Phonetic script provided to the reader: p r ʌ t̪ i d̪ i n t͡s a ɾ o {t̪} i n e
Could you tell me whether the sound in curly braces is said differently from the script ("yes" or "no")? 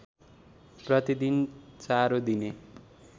yes